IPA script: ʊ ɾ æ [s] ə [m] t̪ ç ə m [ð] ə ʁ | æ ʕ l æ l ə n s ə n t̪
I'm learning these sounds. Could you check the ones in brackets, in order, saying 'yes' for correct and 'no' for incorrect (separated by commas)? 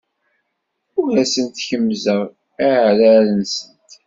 yes, no, no